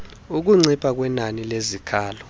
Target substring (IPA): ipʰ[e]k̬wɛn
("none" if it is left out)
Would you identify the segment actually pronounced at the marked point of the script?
a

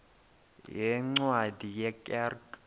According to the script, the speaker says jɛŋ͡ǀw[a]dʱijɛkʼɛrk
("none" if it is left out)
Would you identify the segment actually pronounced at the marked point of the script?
a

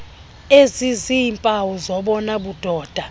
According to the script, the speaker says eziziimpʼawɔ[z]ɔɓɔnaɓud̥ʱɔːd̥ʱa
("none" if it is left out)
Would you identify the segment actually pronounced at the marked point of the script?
z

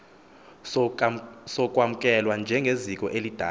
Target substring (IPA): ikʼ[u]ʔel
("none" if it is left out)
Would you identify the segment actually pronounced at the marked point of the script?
ɔ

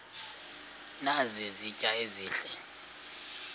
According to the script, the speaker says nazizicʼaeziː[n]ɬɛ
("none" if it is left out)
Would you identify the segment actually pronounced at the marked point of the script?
none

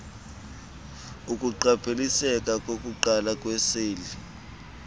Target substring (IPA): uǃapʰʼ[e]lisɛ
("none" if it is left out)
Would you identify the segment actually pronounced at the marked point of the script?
e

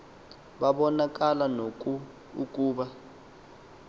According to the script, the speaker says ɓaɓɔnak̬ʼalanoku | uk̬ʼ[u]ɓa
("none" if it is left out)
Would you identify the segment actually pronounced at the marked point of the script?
uː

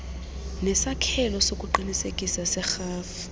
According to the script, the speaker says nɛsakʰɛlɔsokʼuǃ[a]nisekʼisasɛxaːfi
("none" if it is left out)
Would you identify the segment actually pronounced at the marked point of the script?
i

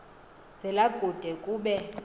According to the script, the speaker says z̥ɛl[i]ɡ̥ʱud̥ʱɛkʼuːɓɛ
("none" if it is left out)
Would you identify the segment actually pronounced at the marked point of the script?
a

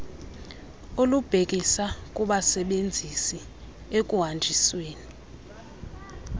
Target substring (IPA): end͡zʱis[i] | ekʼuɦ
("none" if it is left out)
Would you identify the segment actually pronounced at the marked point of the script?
i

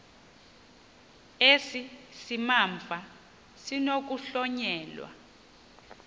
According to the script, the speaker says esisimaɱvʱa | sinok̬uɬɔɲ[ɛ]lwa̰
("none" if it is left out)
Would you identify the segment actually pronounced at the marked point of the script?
ɛː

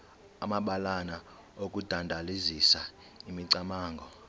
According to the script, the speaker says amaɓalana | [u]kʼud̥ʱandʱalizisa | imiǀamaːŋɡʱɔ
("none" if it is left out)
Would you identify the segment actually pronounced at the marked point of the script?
o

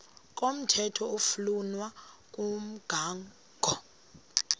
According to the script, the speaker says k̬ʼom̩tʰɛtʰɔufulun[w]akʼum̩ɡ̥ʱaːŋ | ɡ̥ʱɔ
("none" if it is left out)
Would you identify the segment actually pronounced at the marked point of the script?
w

